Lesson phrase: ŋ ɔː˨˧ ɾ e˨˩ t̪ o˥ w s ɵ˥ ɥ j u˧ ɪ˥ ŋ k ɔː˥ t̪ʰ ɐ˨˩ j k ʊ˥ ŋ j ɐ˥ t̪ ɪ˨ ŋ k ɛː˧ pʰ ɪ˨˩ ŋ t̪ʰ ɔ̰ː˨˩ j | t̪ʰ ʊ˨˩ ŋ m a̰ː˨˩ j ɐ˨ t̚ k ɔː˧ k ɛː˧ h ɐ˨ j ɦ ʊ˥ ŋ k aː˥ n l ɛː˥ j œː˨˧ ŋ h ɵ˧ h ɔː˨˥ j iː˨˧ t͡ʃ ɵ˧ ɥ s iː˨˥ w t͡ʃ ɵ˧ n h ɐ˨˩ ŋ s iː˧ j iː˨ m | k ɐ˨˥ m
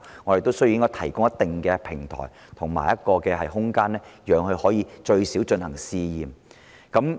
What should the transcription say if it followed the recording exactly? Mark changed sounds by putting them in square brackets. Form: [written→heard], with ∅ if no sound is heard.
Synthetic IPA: ŋ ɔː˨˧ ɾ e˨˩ t̪ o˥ w s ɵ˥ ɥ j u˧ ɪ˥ ŋ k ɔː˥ t̪ʰ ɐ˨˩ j k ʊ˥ ŋ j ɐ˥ t̪ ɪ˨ ŋ k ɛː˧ pʰ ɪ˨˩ ŋ t̪ʰ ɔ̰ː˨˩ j | t̪ʰ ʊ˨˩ ŋ m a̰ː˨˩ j [ɐ˨→ɐ˥] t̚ k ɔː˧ k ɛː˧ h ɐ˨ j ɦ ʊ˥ ŋ k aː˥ n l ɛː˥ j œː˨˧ ŋ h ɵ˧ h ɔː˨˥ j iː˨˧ t͡ʃ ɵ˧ ɥ s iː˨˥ w t͡ʃ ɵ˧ n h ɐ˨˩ ŋ s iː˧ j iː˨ m | k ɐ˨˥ m